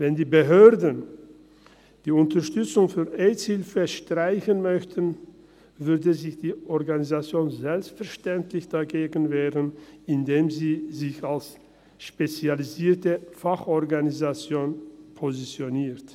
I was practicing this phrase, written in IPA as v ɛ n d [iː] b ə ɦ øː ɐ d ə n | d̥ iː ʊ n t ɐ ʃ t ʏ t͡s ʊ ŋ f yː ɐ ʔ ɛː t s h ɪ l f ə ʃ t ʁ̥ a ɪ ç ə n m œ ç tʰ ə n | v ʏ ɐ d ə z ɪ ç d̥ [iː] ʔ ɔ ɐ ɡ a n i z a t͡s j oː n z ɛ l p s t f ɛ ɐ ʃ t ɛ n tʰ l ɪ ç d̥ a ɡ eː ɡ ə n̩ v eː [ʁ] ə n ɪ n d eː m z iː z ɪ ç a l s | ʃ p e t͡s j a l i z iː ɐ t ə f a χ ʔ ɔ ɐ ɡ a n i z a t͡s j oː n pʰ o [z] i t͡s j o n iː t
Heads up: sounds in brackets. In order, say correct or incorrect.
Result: correct, correct, correct, correct

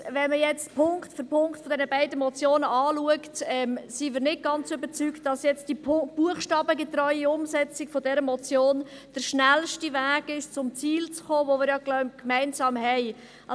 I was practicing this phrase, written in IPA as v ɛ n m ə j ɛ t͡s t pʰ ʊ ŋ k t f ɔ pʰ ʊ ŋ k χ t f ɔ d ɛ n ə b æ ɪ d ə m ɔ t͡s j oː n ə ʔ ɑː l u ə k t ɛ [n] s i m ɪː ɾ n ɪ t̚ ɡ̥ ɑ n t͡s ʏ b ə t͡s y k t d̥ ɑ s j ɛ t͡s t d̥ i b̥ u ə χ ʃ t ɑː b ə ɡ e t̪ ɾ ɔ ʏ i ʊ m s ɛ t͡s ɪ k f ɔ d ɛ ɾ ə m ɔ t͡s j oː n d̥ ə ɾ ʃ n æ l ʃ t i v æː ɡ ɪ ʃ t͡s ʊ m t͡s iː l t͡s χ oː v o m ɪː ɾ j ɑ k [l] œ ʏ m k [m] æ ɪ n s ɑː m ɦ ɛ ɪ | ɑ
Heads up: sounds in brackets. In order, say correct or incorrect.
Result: incorrect: m, correct, correct

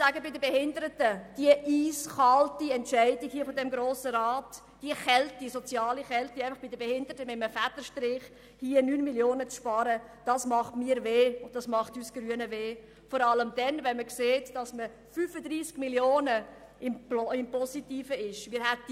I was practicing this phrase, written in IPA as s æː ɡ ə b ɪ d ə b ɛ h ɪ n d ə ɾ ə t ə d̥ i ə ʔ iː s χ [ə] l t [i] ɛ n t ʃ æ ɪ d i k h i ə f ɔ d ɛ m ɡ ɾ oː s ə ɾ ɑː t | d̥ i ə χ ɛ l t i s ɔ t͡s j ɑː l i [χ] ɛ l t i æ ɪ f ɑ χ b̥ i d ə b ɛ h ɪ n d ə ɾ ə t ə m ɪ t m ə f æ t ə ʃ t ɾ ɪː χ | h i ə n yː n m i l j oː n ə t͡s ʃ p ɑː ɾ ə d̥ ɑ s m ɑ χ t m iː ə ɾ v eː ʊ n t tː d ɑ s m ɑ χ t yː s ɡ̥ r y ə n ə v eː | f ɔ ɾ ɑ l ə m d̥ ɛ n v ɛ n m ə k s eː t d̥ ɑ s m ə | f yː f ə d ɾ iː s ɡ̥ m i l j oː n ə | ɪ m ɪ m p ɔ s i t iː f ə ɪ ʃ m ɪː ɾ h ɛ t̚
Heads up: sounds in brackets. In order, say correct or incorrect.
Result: incorrect: ɑ, correct, correct

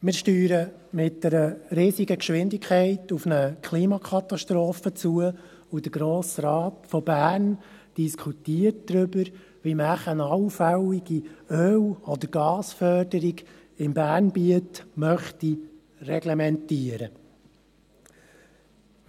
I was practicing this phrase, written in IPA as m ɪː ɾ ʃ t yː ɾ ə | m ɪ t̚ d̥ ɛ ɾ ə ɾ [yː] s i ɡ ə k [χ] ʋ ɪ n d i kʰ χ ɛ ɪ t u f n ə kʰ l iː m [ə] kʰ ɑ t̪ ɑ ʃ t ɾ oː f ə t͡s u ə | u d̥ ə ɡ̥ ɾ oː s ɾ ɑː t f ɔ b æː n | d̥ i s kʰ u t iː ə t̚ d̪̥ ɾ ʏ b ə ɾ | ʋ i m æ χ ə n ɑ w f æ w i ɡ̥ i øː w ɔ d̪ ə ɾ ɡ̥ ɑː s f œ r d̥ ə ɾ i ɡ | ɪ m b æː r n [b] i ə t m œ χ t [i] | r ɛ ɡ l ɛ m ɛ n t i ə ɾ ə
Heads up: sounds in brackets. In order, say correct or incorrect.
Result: incorrect: iː, incorrect: ʃ, incorrect: ɑ, correct, correct

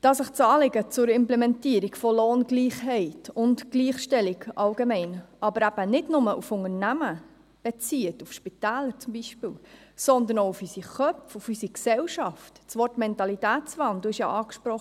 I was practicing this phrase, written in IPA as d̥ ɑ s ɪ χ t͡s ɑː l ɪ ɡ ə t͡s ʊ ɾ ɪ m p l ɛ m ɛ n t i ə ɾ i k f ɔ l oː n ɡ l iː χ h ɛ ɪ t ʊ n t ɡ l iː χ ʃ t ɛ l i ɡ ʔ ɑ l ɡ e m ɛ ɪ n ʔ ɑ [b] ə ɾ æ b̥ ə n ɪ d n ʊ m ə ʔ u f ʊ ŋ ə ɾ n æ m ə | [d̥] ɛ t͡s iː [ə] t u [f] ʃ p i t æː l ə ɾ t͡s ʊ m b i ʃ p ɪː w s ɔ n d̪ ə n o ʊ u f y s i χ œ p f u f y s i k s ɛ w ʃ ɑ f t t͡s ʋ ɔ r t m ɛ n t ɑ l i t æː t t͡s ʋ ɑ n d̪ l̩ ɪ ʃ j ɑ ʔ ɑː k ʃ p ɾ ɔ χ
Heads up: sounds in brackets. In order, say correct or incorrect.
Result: correct, incorrect: b̥, correct, correct

